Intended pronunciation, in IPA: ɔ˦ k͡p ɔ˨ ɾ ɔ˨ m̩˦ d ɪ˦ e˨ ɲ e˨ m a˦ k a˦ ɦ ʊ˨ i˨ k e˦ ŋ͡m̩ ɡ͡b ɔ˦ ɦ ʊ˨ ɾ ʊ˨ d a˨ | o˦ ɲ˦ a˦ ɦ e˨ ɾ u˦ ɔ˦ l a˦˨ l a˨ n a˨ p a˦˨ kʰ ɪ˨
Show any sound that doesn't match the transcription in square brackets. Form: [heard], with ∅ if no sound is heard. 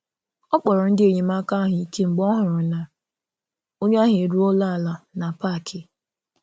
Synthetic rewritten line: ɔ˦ k͡p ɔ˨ ɾ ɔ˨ [n̩˦] d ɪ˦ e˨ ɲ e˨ m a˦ k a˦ ɦ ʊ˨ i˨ k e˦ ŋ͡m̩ ɡ͡b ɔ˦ ɦ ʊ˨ ɾ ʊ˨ [n] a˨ | o˦ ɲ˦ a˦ ɦ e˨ ɾ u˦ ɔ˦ l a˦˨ l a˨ n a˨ p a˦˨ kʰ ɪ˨